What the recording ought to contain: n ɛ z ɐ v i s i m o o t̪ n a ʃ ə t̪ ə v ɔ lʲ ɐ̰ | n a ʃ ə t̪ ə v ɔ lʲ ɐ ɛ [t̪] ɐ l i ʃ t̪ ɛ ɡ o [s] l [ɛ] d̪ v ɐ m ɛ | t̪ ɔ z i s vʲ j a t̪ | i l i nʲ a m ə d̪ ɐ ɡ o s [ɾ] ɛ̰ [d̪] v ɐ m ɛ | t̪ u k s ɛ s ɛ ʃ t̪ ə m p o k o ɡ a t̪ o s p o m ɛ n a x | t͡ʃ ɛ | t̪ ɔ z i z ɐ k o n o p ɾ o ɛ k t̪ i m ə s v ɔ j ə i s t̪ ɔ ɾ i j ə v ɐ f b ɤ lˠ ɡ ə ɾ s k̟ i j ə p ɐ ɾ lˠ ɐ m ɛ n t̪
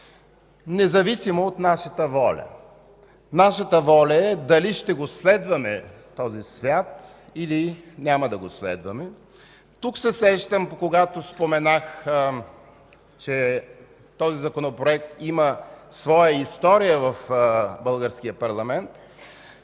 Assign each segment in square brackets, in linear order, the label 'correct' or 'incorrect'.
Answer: incorrect, correct, correct, incorrect, correct

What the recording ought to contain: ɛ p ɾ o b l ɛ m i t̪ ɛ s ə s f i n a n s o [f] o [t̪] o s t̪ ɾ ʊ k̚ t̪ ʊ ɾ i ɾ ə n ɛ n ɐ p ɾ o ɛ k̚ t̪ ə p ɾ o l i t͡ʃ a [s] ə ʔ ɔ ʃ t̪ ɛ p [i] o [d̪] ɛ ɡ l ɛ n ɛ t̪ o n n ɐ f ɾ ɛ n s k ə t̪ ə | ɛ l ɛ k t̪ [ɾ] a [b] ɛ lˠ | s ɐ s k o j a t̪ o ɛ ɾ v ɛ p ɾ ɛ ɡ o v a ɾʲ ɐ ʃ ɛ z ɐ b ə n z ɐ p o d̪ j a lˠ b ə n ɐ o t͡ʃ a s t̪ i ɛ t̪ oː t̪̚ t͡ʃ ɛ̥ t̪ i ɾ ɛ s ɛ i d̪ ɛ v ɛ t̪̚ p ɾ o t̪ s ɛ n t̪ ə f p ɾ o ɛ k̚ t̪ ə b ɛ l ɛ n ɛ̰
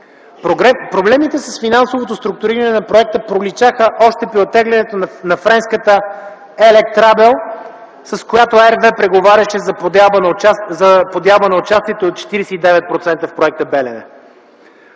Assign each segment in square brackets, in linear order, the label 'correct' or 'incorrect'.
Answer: incorrect, correct, incorrect, correct, incorrect, correct, correct

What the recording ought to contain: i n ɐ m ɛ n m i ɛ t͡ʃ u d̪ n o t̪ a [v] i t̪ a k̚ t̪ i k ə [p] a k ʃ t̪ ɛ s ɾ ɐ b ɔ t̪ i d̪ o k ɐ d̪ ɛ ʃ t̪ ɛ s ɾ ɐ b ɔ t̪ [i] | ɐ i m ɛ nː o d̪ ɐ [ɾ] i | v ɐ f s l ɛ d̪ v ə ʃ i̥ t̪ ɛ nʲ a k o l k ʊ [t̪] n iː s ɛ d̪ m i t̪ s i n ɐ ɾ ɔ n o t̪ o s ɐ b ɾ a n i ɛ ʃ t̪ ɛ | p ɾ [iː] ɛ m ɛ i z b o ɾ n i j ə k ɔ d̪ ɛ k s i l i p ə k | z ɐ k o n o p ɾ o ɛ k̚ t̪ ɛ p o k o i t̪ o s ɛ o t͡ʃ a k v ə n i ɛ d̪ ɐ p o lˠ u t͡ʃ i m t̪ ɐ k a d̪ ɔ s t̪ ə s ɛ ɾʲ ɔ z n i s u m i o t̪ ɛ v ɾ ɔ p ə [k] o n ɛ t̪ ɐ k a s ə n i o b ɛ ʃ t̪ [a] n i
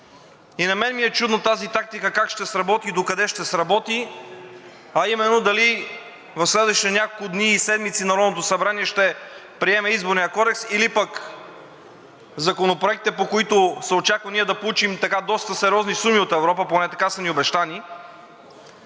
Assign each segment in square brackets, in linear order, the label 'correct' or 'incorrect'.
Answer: incorrect, incorrect, correct, incorrect, incorrect, incorrect, incorrect, correct

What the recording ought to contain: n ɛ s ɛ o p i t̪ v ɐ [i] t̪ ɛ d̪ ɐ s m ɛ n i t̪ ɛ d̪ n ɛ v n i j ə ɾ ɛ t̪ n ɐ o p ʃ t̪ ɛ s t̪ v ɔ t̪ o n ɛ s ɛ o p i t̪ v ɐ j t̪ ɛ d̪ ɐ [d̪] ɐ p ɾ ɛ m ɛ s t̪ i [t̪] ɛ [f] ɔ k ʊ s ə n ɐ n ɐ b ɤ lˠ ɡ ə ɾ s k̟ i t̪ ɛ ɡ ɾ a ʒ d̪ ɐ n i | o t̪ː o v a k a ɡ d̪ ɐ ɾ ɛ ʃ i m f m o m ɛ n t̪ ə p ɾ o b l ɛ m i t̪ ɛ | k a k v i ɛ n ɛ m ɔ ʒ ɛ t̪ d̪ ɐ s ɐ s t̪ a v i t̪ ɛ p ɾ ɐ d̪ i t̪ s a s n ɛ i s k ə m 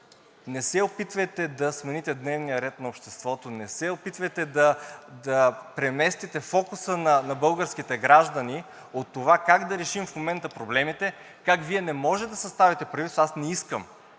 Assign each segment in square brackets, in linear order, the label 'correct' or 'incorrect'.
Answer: incorrect, correct, correct, correct

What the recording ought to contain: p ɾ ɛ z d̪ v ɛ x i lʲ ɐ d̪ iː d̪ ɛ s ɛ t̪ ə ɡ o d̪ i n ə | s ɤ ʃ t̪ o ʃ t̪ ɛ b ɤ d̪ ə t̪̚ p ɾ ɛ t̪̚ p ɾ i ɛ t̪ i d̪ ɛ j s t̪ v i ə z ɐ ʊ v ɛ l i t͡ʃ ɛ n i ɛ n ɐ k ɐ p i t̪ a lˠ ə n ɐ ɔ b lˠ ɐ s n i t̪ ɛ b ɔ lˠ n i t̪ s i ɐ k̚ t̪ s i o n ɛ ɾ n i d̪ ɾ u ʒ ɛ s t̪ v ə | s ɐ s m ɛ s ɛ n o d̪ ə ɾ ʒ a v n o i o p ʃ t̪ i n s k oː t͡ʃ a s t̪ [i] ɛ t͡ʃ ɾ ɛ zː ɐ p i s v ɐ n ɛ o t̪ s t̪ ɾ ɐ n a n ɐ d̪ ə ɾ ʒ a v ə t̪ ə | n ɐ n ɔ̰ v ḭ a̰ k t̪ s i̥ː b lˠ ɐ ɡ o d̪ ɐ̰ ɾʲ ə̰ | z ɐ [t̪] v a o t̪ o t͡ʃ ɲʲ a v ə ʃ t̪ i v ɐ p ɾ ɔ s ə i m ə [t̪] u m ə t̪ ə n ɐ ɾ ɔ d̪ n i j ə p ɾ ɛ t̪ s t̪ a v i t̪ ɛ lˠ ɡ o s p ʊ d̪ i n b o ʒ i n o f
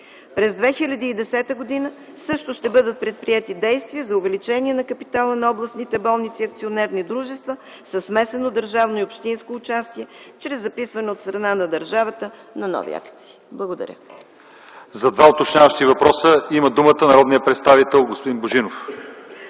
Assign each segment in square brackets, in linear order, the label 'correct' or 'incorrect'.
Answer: correct, incorrect, incorrect

